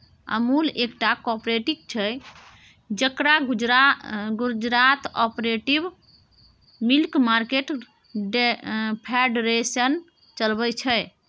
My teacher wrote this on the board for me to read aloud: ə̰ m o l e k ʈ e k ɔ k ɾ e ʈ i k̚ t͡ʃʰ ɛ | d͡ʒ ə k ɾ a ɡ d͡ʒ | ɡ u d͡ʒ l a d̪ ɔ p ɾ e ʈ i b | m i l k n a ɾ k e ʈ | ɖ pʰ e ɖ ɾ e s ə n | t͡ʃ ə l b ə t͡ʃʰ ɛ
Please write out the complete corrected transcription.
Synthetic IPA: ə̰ m u l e k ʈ a k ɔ p ɾ e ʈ i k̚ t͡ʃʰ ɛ | d͡ʒ ə k ɾ a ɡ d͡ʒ | ɡ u d͡ʒ ɾ a t̪ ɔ p ɾ e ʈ i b | m i l k m a ɾ k e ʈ | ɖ pʰ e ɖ ɾ e s ə n | t͡ʃ ə l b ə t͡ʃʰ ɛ

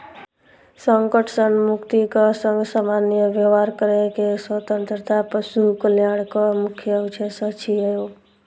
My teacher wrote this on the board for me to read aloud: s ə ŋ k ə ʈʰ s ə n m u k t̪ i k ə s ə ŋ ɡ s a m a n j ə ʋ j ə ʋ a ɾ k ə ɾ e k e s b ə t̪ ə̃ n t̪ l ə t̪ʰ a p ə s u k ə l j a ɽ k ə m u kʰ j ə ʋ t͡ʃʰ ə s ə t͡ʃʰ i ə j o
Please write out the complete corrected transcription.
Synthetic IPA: s ə ŋ k ə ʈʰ s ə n m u k t̪ i k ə s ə ŋ ɡ s a m a n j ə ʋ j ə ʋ a ɾ k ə ɾ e k e s w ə t̪ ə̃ n t̪ ɾ ə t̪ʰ a p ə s u k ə l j a ɽ k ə m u kʰ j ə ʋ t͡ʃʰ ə s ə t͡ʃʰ i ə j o

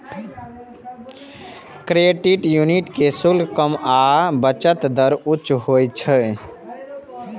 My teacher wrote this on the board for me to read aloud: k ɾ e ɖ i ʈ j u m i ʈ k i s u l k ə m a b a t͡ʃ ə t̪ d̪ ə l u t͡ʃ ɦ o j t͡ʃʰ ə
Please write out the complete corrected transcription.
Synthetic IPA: k ɾ e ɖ i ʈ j u n i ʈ k e s u l k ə m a b ə t͡ʃ ə t̪ d̪ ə ɾ u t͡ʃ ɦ o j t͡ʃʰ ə

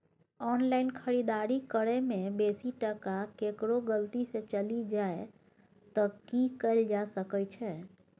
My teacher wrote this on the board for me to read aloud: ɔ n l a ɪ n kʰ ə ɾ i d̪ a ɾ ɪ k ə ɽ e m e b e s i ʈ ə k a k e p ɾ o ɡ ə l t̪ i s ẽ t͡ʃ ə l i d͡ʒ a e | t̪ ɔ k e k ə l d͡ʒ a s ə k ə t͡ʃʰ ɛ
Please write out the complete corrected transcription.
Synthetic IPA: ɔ n l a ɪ n kʰ ə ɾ i d̪ a ɾ i k ə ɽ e m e b e s i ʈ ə k a k e k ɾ o ɡ ə l t̪ i s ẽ t͡ʃ ə l i d͡ʒ a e | t̪ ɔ k i k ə l d͡ʒ a s ə k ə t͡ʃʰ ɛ

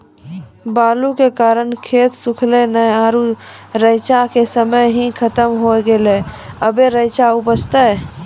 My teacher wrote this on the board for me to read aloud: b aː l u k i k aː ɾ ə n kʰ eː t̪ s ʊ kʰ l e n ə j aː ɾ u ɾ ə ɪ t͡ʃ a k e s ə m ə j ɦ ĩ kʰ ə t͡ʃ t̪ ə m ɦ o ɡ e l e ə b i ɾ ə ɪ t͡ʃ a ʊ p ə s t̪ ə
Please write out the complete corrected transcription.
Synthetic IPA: b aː l u k e k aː ɾ ə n kʰ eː t̪ s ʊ kʰ l e n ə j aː ɾ u ɾ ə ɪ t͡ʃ a k e s ə m ə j ɦ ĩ kʰ ə t̪ ə m ɦ o ɡ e l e ə b e ɾ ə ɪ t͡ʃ a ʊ p ə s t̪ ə

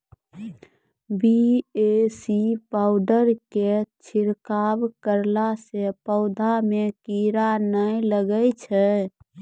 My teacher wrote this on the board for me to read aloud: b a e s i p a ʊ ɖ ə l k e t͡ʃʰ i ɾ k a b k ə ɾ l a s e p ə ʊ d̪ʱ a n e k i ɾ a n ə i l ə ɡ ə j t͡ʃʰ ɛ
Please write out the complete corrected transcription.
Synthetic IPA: b i e s i p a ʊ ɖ ə ɾ k e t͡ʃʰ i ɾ k a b k ə ɾ l a s e p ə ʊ d̪ʱ a m e k i ɾ a n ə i l ə ɡ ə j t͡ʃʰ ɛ

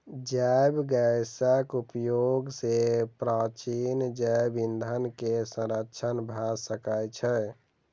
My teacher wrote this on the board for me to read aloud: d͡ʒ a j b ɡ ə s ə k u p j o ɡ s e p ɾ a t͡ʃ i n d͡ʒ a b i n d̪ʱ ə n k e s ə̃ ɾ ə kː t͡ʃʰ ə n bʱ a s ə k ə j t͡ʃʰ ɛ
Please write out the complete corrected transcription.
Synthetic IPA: d͡ʒ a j b ɡ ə s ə k u p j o ɡ s e p ɾ a t͡ʃ i n d͡ʒ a b i n d̪ʱ ə n k e s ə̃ ɾ ə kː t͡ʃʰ ə n bʱ a s ə k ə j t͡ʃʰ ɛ

